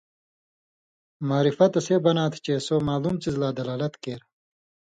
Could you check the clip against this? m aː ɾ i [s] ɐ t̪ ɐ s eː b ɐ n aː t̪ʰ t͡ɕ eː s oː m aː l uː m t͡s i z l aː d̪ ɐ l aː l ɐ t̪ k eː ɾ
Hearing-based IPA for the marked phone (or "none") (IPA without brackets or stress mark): f